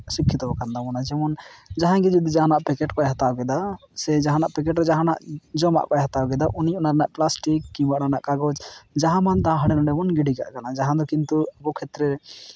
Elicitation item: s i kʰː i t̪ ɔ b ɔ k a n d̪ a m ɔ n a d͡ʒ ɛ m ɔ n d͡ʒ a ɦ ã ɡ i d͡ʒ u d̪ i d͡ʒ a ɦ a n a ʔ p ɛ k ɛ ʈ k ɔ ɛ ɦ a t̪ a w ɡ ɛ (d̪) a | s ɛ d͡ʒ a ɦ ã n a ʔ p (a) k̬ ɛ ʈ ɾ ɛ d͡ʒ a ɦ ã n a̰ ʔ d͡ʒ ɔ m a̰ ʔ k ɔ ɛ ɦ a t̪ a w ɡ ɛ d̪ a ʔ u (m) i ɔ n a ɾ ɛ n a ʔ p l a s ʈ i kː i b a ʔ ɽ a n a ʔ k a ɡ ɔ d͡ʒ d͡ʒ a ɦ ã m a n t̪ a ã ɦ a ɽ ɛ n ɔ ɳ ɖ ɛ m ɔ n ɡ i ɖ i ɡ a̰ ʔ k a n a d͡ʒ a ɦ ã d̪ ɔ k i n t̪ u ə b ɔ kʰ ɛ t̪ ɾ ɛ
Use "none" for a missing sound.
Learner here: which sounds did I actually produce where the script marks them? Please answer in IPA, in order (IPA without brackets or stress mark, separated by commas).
d̪, ɛ, n